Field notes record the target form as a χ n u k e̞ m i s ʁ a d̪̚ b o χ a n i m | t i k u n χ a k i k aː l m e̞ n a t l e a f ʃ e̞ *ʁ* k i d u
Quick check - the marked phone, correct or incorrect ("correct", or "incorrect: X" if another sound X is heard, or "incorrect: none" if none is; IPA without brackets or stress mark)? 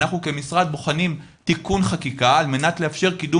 correct